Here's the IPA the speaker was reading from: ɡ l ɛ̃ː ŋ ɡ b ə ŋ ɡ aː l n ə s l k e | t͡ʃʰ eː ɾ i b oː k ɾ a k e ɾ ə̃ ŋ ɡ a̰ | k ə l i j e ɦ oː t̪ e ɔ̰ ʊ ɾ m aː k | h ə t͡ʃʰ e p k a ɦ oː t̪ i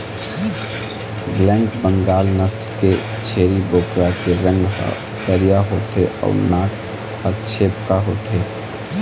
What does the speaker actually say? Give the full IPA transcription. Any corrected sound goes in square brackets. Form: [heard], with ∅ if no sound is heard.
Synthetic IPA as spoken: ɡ l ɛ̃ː ŋ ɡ b ə ŋ ɡ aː l n ə s l k e | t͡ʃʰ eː ɾ i b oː k ɾ a k e ɾ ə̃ ŋ ɡ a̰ | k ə [ɾ] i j [a] ɦ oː t̪ e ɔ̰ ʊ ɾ [n] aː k | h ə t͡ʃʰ e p k a ɦ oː t̪ [e]